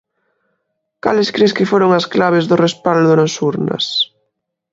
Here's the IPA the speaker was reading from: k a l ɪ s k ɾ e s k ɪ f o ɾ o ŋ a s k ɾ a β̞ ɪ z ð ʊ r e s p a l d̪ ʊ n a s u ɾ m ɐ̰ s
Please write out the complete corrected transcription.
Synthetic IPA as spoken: k a l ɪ s k ɾ e s k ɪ f o ɾ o ŋ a s k l a β̞ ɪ z ð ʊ r e s p a l d̪ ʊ n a s u ɾ n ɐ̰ s

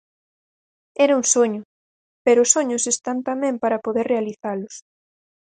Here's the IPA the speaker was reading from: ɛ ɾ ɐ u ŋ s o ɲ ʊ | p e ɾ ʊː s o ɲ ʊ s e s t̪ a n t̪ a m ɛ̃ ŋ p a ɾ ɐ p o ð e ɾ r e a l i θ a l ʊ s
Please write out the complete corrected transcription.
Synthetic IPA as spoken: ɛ ɾ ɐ u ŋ s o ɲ ʊ | p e ɾ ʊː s o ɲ ʊ s e s t̪ a n t̪ a m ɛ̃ m p a ɾ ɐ p o ð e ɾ r e a l i θ a l ʊ s

